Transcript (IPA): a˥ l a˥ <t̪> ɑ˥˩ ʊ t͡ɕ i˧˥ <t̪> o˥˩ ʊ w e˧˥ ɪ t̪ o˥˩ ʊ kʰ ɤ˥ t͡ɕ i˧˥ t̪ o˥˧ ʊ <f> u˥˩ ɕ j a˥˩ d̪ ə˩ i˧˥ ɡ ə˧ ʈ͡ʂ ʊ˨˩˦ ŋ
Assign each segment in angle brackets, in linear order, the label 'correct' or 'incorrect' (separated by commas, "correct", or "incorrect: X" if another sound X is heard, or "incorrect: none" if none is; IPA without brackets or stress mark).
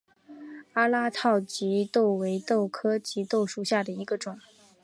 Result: incorrect: t̪ʰ, correct, incorrect: ʂ